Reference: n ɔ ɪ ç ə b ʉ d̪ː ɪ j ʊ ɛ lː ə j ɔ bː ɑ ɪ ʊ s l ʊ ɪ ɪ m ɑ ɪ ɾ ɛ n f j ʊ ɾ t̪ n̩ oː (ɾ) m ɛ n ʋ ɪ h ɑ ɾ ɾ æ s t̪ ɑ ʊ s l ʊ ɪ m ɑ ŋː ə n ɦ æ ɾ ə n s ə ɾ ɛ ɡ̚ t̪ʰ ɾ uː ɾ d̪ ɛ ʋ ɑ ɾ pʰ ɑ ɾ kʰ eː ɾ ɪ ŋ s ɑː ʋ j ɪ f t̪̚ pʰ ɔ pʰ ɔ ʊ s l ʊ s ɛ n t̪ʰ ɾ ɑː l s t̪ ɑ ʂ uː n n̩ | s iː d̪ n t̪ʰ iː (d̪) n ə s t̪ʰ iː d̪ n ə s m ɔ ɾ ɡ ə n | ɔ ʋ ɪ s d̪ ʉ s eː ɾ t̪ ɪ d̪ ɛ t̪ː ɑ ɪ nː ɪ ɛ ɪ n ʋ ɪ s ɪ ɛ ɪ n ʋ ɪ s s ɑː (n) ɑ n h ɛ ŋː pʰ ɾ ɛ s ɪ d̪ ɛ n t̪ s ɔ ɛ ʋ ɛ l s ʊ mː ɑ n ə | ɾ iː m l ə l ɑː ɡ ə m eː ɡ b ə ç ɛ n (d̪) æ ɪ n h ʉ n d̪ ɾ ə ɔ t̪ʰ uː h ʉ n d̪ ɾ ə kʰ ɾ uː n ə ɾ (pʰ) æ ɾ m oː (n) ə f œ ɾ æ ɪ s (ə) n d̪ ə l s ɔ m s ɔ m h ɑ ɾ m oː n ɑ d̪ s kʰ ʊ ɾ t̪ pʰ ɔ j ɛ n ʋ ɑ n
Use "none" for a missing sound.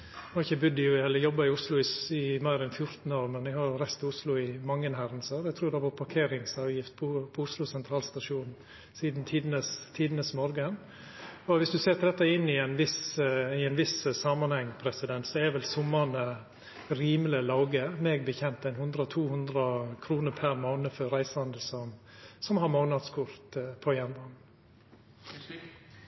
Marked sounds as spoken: ɾ, d̪, m, t̪, pʰ, n, ɑ

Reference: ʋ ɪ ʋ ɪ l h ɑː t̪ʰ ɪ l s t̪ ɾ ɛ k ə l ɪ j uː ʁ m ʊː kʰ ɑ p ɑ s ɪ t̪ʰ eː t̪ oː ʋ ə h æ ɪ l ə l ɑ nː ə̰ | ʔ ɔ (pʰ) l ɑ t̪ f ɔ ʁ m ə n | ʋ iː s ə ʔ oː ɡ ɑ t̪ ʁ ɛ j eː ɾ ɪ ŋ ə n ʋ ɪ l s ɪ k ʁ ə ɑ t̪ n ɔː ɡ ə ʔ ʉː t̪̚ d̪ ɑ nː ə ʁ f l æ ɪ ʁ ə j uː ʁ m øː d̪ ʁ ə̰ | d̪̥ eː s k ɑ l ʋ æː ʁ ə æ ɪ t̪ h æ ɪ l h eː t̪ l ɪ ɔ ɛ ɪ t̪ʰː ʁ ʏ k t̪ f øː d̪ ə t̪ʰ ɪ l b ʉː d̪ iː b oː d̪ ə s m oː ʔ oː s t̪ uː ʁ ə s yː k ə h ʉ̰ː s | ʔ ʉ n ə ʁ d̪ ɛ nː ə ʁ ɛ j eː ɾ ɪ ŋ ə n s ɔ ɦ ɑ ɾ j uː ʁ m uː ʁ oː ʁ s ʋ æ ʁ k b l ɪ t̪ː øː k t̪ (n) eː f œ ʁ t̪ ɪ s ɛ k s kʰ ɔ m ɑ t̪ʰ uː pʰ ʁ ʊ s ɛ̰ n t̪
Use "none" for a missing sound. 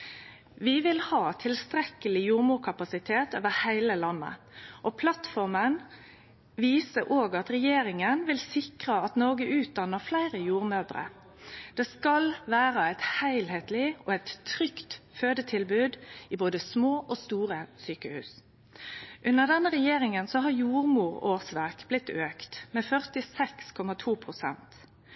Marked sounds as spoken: pʰ, m

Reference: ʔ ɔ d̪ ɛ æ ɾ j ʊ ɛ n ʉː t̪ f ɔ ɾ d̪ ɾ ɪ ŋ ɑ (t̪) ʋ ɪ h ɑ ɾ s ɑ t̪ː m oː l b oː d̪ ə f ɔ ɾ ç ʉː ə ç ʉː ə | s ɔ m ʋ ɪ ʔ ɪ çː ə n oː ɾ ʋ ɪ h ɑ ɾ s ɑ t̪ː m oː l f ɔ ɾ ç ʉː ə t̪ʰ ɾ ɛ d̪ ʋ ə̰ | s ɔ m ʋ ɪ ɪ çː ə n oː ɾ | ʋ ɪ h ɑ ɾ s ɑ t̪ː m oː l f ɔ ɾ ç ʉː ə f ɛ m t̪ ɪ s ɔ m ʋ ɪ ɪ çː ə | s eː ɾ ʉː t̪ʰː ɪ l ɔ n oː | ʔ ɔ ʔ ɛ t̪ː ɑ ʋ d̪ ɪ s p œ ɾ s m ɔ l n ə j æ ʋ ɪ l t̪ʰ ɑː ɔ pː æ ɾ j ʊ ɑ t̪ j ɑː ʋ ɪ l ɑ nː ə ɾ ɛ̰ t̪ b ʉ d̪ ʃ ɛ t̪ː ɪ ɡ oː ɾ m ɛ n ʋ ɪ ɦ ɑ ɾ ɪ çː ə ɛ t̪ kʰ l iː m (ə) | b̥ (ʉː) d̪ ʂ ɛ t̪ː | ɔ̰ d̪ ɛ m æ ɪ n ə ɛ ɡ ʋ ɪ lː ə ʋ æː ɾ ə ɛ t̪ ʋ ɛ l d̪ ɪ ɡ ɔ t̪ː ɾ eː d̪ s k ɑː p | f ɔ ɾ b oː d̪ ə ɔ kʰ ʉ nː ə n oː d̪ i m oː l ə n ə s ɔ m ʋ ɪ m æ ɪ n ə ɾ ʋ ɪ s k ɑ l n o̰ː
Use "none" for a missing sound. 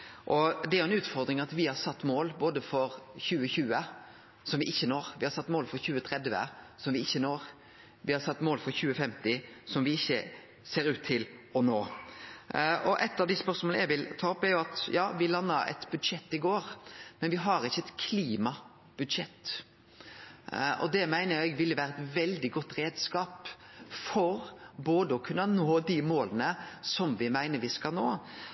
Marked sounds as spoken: t̪, ɑ, ʉ

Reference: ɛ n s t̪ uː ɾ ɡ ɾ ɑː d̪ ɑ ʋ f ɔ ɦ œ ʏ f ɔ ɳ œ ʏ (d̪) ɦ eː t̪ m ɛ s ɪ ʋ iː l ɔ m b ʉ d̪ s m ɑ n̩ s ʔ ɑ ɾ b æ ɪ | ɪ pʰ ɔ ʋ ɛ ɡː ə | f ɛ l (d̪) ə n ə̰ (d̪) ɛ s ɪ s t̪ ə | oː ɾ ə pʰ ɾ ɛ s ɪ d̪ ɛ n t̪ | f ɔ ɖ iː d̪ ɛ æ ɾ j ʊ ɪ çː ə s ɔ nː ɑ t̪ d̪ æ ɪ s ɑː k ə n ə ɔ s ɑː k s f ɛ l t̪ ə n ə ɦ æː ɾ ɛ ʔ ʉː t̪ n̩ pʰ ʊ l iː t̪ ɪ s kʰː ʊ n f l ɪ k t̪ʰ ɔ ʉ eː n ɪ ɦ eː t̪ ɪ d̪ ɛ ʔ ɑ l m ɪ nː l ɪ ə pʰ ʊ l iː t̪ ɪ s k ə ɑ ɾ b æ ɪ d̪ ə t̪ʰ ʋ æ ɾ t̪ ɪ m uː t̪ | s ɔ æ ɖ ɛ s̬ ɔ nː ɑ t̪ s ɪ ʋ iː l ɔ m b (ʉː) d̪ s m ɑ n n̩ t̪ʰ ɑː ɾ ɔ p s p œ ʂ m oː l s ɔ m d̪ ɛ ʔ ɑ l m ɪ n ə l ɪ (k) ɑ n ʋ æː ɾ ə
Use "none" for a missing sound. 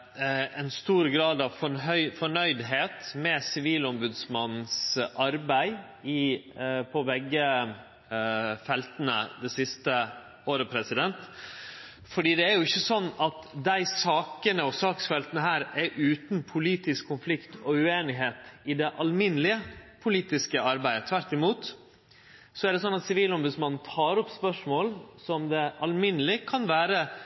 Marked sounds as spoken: d̪, t̪, d̪, ʉ, kʰ

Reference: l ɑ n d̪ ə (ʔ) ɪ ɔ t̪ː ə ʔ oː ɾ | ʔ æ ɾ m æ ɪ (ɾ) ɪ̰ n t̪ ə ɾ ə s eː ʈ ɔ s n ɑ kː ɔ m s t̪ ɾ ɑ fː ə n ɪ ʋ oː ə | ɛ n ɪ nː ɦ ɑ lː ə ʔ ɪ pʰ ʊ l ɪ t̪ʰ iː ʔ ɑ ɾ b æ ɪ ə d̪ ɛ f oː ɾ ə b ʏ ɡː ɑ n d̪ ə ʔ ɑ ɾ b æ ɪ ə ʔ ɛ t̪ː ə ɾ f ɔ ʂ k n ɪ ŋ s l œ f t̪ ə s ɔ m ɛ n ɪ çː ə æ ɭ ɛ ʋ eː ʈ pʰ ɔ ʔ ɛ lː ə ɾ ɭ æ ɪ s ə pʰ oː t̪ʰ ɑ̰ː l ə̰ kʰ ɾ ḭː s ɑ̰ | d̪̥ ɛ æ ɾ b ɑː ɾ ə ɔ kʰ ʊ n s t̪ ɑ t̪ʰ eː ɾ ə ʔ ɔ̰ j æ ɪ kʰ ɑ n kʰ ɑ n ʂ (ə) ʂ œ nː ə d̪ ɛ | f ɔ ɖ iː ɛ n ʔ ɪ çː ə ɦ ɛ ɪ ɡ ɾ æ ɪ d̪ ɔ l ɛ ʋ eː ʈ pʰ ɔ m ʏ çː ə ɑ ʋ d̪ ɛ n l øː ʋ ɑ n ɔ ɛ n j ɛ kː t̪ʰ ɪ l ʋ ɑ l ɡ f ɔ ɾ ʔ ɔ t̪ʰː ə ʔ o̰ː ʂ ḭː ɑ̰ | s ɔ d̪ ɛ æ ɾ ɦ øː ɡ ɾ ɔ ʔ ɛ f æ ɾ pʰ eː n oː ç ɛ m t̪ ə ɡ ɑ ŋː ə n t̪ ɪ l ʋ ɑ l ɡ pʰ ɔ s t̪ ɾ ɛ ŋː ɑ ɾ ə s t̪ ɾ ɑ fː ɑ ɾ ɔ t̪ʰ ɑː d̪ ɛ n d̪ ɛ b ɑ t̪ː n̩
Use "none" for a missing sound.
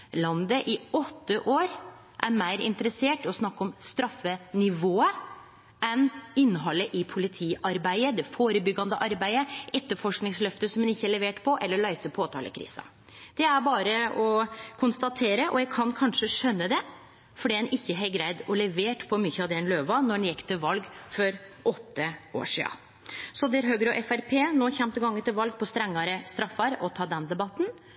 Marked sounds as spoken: ʔ, ɾ, ə

